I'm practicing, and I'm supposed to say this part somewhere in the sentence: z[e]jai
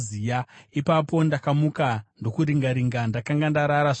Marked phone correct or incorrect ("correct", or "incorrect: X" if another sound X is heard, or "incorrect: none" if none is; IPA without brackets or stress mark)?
incorrect: i